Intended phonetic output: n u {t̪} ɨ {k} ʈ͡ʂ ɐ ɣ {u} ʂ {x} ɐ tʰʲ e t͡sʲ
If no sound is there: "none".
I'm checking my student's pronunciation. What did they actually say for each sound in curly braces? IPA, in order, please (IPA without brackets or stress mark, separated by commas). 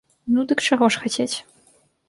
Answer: d̪, k, ɔ, x